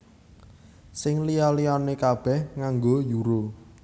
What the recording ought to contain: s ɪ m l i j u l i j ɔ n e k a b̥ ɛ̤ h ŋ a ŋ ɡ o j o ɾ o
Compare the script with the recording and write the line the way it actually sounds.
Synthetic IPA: s ɪ ŋ l i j ɔ l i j ɔ n e k a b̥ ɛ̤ h ŋ a ŋ ɡ o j u ɾ o